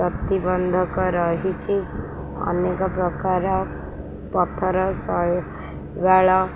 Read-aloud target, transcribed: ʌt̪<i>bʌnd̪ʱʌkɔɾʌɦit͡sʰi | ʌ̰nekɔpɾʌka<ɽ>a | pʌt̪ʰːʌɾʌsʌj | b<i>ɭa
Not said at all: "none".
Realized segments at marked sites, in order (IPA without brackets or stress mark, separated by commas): i, ɾ, a